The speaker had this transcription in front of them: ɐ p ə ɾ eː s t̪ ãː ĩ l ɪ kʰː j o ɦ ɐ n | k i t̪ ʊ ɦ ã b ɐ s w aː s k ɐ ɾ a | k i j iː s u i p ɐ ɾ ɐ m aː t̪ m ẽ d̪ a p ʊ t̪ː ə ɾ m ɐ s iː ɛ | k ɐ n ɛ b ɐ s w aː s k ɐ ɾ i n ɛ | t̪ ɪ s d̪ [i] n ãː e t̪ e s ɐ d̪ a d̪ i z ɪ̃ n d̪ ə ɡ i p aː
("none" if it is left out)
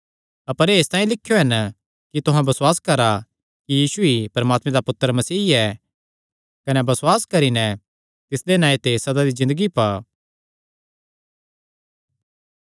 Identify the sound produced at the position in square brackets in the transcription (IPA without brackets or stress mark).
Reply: e